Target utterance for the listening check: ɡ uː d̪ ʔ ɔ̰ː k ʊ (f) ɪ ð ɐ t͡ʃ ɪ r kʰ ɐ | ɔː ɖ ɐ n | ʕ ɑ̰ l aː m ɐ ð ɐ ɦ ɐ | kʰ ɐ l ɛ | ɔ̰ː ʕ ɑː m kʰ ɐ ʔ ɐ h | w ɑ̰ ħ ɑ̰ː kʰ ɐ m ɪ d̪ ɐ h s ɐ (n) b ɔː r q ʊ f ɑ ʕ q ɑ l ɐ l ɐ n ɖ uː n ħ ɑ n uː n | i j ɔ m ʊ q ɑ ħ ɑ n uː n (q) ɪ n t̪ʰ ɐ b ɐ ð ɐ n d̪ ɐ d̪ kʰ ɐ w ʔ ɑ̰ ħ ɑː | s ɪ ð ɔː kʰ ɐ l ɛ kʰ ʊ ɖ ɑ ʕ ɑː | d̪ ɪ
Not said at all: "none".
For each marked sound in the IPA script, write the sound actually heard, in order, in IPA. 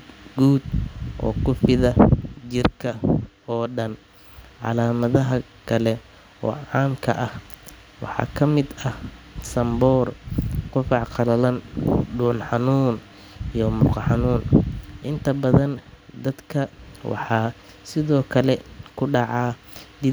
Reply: f, m, ʔ

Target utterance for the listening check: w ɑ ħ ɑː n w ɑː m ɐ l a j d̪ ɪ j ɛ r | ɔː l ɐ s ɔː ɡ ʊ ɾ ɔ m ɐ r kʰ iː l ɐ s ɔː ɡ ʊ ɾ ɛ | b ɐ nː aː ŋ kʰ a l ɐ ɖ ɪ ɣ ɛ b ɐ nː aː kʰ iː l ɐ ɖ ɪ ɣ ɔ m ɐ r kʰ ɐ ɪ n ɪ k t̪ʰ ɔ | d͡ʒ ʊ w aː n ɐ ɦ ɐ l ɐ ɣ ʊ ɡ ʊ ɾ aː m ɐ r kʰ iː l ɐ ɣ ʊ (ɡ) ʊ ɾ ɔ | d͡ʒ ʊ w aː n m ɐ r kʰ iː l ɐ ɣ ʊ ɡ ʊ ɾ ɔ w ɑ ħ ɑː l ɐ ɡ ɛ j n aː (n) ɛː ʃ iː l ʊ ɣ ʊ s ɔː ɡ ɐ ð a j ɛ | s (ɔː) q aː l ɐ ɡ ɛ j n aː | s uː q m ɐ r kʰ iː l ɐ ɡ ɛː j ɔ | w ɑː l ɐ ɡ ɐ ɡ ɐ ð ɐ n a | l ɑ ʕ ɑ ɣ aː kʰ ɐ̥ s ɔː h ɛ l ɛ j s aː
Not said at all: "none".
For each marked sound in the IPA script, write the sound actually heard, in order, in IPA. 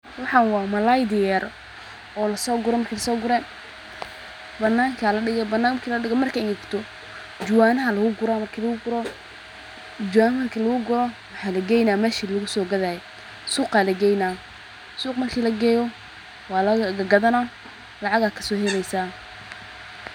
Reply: ɡ, m, uː

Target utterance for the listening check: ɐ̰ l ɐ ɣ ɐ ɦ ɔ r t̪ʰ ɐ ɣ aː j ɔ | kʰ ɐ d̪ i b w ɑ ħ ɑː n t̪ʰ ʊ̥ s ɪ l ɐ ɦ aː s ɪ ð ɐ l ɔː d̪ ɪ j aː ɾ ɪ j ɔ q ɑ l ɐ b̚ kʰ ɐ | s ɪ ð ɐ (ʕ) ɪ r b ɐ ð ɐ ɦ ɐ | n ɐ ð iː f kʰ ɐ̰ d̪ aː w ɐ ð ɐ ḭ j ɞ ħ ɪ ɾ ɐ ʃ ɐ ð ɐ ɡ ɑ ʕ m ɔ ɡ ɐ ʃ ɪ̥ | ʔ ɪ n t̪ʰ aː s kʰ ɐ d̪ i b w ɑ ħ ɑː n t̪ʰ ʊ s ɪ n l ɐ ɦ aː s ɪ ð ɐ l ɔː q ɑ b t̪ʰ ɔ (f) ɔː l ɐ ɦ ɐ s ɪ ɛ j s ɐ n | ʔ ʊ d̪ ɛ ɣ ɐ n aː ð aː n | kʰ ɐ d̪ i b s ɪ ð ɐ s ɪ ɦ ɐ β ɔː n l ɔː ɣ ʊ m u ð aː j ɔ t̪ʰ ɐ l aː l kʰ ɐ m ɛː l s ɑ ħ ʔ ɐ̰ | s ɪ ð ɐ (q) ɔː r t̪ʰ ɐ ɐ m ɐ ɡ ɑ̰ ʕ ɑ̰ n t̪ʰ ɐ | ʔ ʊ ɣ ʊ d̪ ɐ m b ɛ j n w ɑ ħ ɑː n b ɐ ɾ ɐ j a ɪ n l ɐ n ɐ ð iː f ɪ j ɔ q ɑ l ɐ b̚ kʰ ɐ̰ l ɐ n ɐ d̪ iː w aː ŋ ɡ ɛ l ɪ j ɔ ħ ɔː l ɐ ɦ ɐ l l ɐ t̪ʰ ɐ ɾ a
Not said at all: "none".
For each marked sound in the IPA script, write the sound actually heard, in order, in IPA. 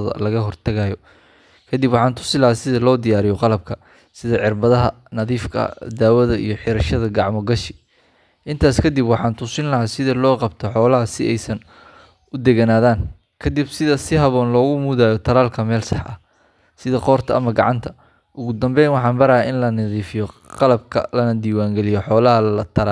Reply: ʕ, ħ, q

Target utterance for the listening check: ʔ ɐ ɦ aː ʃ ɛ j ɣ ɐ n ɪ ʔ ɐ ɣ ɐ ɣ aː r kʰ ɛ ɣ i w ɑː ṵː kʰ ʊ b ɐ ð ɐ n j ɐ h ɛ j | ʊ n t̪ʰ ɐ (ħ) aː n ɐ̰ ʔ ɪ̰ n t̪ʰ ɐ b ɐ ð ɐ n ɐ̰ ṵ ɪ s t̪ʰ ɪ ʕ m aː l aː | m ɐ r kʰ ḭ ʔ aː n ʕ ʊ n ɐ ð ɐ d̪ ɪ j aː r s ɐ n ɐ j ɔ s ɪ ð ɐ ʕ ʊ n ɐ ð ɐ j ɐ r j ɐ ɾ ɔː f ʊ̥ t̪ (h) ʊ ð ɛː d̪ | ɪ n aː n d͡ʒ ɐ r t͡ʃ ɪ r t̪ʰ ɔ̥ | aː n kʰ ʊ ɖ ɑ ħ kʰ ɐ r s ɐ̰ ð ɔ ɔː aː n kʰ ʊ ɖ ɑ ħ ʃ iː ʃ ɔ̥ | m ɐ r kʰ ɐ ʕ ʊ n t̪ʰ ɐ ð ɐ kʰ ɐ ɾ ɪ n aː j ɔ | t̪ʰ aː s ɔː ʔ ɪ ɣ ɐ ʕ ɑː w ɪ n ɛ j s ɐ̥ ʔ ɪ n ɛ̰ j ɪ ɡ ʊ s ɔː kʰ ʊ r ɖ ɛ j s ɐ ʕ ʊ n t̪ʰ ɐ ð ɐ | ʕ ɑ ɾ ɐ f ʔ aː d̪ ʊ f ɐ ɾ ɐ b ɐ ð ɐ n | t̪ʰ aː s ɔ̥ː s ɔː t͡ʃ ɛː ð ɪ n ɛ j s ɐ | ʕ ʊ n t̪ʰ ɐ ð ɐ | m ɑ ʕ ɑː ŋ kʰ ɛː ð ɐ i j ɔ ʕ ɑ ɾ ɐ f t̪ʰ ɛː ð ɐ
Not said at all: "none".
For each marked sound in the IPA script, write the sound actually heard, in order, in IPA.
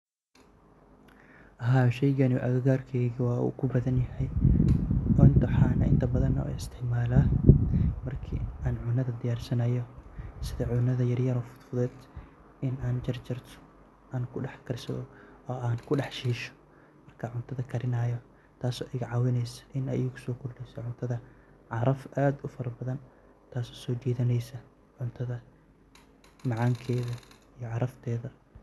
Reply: ħ, f

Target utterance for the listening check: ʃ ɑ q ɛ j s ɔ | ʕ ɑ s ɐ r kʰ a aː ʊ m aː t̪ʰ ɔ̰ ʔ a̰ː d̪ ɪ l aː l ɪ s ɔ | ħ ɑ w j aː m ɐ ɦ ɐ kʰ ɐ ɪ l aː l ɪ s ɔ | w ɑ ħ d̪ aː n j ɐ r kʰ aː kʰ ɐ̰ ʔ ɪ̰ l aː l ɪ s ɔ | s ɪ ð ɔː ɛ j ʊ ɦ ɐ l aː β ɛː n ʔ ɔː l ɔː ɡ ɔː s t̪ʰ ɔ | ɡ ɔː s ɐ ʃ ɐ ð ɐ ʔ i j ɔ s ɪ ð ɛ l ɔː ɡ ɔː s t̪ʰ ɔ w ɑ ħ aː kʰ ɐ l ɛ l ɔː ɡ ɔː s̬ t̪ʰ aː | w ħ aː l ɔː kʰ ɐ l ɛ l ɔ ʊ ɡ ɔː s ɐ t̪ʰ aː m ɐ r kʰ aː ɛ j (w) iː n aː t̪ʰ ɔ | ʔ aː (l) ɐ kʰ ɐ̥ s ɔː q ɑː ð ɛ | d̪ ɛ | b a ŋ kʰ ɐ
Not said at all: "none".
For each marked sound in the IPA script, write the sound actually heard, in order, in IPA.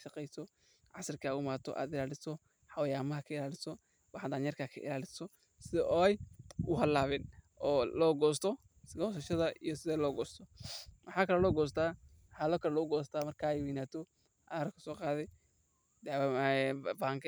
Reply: w, ɾ

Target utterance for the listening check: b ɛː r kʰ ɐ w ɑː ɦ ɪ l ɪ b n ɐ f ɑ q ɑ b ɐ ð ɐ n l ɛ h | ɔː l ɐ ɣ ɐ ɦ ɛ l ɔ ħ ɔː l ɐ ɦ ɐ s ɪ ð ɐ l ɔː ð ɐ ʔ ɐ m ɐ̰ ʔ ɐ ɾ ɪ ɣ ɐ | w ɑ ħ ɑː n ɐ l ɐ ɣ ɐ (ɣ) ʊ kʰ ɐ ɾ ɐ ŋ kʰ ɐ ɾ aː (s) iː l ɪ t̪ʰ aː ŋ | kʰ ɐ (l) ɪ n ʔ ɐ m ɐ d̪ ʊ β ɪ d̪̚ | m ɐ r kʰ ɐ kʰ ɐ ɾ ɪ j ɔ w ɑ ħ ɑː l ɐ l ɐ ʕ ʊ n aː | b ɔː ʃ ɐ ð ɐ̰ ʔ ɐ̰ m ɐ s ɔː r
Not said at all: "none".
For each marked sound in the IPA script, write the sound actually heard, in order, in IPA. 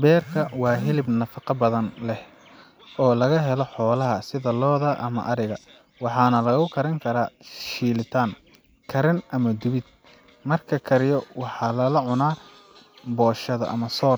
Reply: ɣ, ʃ, ɾ

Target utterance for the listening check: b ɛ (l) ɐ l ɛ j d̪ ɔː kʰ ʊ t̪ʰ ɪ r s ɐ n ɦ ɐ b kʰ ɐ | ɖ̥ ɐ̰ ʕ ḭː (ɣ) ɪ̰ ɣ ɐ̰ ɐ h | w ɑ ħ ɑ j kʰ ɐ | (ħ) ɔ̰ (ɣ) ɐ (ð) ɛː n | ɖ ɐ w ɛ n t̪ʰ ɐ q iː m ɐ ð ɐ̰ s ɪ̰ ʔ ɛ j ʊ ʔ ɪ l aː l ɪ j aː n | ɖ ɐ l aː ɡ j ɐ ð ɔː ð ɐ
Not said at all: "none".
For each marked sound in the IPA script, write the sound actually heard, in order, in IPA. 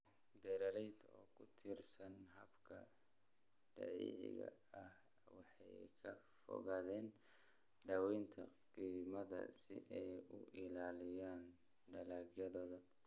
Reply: ɾ, ʕ, f, ɣ, ð

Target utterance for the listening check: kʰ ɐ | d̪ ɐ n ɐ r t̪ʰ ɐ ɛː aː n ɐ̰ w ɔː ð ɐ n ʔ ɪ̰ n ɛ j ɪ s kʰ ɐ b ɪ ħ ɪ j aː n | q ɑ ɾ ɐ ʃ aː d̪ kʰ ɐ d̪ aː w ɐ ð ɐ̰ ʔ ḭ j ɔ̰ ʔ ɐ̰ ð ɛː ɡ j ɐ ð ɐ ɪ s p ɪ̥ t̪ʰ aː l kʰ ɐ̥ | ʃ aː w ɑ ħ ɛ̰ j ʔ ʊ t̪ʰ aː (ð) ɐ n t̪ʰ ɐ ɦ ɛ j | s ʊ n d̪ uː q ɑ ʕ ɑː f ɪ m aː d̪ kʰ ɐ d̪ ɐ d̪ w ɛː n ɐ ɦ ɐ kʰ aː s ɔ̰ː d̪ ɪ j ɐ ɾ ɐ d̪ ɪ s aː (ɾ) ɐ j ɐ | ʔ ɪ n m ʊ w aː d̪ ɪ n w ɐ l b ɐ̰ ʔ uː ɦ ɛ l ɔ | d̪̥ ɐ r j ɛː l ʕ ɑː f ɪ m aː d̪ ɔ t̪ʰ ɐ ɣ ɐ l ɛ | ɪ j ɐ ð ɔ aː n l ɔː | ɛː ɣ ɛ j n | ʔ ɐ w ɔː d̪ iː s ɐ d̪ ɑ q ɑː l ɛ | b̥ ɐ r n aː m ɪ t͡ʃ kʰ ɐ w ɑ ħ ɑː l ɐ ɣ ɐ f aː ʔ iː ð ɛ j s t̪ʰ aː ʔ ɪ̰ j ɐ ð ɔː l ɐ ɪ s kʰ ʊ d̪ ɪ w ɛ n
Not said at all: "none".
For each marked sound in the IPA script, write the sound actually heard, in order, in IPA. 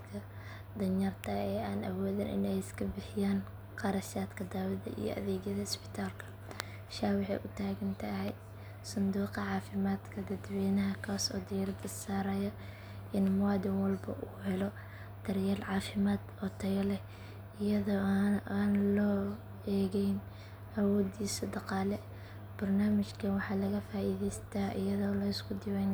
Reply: ɣ, ɾ

